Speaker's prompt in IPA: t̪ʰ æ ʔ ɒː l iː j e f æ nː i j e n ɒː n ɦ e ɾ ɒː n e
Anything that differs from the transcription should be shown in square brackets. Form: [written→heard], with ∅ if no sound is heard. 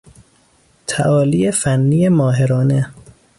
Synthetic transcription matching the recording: t̪ʰ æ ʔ ɒː l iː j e f æ nː i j e [n→m] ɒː [n→∅] ɦ e ɾ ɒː n e

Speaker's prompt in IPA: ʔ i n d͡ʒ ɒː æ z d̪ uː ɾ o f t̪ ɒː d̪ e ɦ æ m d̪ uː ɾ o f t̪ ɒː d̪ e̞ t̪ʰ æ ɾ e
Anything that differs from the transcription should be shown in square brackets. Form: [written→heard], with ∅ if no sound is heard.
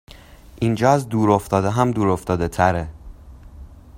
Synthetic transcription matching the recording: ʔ i n d͡ʒ ɒː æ z d̪ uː ɾ o f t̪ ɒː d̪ e ɦ æ m d̪ uː ɾ o f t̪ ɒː d̪ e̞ t̪ʰ æ ɾ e

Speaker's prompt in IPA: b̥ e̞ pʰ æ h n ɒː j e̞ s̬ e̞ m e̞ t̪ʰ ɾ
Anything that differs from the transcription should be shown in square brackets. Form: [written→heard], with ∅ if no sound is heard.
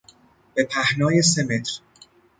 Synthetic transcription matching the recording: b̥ e̞ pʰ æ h n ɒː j e̞ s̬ e̞ m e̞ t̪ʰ ɾ

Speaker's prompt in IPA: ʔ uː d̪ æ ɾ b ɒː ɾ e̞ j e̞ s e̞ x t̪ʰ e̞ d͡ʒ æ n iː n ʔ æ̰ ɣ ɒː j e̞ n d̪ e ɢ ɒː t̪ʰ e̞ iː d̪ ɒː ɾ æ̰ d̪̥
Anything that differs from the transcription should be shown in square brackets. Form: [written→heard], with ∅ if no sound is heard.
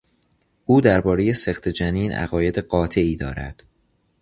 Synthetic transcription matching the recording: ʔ uː d̪ æ ɾ b ɒː ɾ e̞ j e̞ s e̞ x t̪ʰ e̞ d͡ʒ æ n iː n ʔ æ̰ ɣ ɒː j e̞ [n→∅] d̪ e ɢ ɒː t̪ʰ e̞ iː d̪ ɒː ɾ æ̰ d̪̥

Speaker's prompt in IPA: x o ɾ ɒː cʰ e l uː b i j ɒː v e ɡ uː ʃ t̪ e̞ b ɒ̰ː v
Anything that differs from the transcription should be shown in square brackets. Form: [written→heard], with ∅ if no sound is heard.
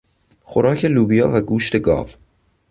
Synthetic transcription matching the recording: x o ɾ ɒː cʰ e l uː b i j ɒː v [e→æ] ɡ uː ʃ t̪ e̞ [b→ɡ] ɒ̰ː v

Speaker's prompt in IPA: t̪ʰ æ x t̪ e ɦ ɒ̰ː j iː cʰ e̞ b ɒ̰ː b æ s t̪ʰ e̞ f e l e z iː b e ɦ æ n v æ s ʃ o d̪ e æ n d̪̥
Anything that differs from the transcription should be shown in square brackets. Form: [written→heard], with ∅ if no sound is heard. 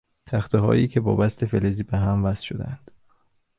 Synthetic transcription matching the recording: t̪ʰ æ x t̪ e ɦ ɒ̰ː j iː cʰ e̞ b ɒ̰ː b æ s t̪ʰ e̞ f e l e z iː b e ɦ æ [n→m] v æ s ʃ o d̪ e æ n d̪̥

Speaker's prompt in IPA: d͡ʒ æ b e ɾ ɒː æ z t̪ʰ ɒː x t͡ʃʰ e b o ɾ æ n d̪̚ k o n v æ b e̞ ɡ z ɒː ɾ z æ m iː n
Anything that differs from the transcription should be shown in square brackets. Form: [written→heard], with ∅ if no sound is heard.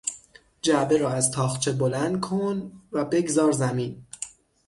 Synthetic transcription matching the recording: d͡ʒ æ b e ɾ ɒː æ z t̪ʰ ɒː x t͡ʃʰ e b o [ɾ→l] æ n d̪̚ [k→kʰ] o n v æ b e̞ ɡ z ɒː ɾ z æ m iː n

